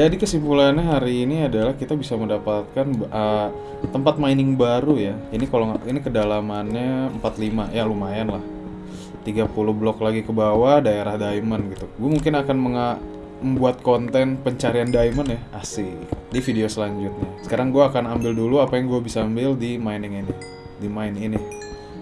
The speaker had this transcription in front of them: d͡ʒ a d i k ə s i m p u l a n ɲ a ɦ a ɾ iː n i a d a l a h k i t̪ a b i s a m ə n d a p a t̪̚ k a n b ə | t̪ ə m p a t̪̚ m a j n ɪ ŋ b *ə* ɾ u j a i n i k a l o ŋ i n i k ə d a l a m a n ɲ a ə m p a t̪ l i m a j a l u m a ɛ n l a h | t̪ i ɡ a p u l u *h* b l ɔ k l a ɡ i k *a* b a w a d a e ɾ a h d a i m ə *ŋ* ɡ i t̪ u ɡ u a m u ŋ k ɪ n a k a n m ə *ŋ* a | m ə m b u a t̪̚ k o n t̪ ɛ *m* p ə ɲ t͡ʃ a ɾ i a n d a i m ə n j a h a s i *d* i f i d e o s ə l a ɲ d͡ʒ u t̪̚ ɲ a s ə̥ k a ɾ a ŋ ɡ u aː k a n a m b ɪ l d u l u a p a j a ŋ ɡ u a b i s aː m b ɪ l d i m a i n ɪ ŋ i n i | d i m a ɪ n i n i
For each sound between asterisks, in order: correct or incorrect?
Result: incorrect, correct, incorrect, incorrect, correct, incorrect, correct

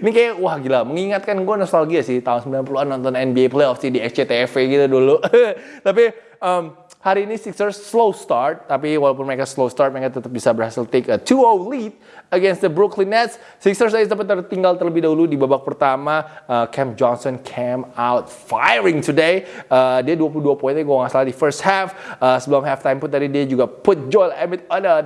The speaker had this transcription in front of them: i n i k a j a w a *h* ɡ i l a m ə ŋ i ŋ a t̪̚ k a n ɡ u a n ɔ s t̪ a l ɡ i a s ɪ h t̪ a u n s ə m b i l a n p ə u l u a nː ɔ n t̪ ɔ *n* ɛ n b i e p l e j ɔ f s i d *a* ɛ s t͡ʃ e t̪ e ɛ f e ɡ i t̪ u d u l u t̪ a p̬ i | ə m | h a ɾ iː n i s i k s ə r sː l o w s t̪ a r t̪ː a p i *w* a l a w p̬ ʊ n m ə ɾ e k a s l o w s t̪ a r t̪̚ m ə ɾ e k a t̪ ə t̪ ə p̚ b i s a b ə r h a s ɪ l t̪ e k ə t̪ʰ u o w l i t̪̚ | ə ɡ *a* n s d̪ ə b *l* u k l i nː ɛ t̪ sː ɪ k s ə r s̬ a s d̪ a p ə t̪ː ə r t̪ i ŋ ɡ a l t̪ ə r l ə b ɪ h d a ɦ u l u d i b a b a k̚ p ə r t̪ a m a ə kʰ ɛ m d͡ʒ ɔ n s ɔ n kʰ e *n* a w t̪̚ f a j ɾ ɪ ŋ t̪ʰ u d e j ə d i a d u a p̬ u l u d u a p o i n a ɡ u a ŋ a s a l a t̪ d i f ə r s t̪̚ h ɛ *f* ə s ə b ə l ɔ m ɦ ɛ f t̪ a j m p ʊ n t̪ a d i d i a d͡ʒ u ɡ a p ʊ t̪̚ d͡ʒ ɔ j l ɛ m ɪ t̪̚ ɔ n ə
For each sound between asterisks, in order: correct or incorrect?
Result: correct, correct, incorrect, correct, incorrect, incorrect, incorrect, correct

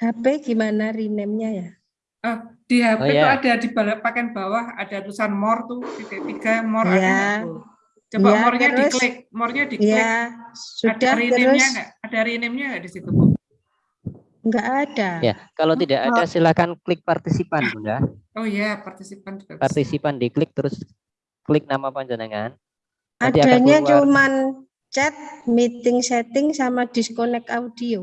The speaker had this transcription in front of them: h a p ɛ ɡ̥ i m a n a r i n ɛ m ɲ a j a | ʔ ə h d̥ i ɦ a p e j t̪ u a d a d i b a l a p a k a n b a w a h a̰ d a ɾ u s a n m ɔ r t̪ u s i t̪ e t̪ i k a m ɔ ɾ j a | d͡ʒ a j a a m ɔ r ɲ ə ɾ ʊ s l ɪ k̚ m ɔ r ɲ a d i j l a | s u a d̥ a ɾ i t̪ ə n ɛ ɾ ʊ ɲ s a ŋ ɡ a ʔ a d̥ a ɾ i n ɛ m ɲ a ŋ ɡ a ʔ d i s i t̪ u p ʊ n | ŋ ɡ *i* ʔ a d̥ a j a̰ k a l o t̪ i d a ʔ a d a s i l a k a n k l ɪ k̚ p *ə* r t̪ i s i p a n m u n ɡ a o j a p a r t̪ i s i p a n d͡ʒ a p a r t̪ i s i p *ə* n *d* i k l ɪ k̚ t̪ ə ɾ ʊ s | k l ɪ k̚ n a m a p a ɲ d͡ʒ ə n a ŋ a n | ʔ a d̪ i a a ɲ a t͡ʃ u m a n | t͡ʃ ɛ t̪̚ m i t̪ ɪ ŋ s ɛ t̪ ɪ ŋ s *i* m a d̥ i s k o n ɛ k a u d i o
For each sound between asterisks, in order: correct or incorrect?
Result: incorrect, incorrect, incorrect, correct, incorrect

